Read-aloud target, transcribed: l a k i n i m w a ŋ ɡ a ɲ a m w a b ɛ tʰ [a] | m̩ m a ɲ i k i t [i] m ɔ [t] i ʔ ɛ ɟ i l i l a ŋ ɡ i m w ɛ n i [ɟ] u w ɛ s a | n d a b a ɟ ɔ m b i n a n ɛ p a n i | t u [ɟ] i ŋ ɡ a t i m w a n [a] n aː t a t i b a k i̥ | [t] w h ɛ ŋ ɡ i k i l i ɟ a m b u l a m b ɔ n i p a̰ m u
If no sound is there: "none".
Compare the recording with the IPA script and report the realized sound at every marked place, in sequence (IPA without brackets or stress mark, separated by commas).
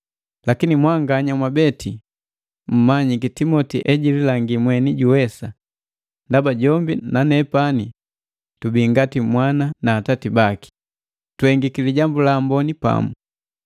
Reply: i, i, t, ɟ, b, a, t